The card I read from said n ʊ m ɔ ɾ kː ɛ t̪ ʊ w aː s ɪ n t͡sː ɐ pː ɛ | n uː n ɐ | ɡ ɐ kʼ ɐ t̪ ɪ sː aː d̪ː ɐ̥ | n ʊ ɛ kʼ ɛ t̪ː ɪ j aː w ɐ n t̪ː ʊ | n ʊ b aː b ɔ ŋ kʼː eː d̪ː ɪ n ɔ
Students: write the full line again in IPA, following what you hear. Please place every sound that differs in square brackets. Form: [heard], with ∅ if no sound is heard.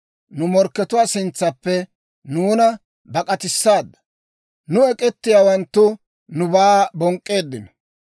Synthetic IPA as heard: n ʊ m ɔ ɾ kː ɛ t̪ ʊ w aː s ɪ n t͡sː ɐ pː ɛ | n uː n ɐ | [b] ɐ kʼ ɐ t̪ ɪ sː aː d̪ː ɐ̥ | n ʊ ɛ kʼ ɛ t̪ː ɪ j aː w ɐ n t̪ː ʊ | n ʊ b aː b ɔ ŋ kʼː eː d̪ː ɪ n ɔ

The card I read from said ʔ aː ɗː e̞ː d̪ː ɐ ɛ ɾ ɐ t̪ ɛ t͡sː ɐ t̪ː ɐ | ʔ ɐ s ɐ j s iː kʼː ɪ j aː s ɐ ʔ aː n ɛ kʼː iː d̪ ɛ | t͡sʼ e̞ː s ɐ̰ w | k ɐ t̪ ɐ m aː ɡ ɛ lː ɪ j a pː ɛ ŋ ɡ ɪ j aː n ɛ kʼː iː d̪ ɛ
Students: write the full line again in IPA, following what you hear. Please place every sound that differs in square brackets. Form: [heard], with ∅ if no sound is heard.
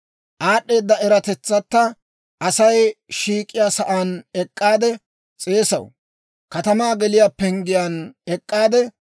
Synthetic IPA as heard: ʔ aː ɗː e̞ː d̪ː ɐ ɛ ɾ ɐ t̪ ɛ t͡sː ɐ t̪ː ɐ | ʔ ɐ s ɐ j [ʃ] iː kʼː ɪ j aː s ɐ ʔ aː n ɛ kʼː [aː] d̪ ɛ | t͡sʼ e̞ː s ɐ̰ w | k ɐ t̪ ɐ m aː ɡ ɛ [l] ɪ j a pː ɛ ŋ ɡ ɪ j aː n ɛ kʼː [aː] d̪ ɛ

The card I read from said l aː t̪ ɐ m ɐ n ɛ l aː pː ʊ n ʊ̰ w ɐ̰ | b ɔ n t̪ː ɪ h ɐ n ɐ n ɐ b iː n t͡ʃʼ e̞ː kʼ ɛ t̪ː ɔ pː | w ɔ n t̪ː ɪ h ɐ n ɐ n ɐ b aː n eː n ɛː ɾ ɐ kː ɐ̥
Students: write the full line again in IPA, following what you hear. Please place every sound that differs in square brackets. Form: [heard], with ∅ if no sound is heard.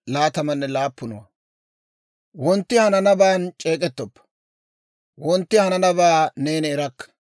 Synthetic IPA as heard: l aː t̪ ɐ m ɐ [nː] ɛ l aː pː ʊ n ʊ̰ w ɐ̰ | [w] ɔ n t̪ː ɪ h ɐ n ɐ n ɐ b [aː] n t͡ʃʼ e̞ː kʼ ɛ t̪ː ɔ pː | w ɔ n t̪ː ɪ h ɐ n ɐ n ɐ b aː n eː n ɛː ɾ ɐ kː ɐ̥

